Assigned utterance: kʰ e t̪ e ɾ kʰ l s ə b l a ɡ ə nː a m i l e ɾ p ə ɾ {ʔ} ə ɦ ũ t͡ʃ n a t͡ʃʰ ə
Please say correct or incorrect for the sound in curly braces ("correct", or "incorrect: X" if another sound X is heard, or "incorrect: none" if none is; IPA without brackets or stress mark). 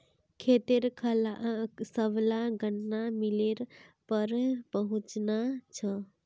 incorrect: p